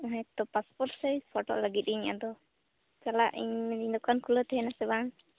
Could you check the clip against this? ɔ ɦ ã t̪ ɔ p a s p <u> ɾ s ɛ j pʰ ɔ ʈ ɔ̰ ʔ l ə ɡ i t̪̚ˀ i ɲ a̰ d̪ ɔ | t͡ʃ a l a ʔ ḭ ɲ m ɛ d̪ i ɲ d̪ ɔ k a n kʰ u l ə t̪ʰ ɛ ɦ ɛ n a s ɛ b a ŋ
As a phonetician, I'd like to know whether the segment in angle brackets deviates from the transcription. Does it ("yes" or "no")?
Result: yes